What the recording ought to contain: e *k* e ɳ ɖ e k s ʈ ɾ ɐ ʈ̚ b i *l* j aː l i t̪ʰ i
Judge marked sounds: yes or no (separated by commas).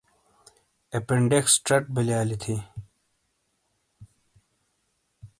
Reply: no, yes